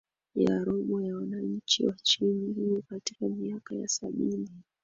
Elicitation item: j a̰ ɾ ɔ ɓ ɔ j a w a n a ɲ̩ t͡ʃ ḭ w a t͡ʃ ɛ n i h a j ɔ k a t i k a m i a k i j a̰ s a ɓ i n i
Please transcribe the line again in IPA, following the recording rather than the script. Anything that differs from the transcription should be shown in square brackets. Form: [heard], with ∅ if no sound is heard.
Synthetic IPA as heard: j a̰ ɾ ɔ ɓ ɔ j a w a n a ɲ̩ t͡ʃ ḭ w a t͡ʃ [i] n i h [i] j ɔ k a t i k a m i a k [a] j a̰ s a ɓ i n i